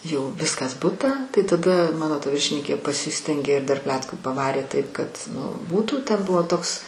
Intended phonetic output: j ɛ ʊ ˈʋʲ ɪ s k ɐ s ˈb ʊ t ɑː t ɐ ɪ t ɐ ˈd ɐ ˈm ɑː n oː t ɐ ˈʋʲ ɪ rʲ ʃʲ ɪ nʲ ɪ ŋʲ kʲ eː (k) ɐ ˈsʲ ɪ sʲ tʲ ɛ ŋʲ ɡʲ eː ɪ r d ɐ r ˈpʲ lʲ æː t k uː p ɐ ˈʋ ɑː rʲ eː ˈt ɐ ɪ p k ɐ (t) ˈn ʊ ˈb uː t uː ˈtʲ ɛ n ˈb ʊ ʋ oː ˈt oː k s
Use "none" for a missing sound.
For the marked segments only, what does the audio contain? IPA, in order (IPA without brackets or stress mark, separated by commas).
p, t